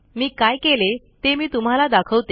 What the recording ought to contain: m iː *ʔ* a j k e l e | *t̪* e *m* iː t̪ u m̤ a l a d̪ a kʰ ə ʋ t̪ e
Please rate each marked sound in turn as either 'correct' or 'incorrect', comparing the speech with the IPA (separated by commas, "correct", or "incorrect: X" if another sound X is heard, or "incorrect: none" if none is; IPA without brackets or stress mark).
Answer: incorrect: k, correct, correct